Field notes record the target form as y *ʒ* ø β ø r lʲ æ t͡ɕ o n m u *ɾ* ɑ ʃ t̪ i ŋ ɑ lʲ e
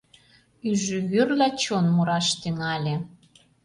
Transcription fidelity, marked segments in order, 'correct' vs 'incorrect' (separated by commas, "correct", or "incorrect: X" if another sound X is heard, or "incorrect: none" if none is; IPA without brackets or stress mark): correct, correct